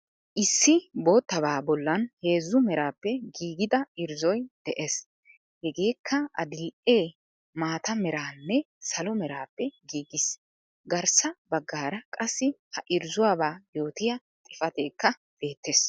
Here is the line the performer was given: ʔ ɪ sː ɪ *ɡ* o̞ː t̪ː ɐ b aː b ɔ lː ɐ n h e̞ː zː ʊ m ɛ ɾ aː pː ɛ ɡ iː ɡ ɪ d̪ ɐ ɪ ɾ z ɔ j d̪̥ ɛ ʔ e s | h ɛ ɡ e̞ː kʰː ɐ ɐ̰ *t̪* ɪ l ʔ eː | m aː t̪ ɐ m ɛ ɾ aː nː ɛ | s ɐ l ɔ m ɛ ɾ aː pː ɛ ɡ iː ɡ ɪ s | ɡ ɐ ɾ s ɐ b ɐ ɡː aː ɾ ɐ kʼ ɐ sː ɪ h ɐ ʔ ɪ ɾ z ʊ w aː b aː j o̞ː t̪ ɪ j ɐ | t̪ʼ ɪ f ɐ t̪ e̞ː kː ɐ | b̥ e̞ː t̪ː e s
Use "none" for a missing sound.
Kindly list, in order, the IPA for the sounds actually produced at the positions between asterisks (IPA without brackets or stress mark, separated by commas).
b, d̪